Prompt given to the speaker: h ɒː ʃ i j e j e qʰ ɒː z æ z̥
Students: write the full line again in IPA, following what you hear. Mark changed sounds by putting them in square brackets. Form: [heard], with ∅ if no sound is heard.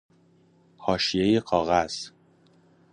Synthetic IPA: h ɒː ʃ i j e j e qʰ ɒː [ɣ] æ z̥